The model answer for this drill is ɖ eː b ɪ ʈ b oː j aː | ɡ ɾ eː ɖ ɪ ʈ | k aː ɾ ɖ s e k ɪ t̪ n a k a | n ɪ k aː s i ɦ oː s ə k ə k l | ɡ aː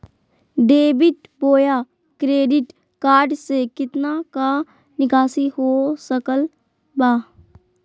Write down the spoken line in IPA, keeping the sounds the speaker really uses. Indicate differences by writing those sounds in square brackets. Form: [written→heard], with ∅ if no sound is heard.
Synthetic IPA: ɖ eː b ɪ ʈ b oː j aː | [ɡ→k] ɾ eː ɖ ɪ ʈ | k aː ɾ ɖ s e k ɪ t̪ n a k a | n ɪ k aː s i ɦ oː s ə k ə [k→∅] l | [ɡ→b] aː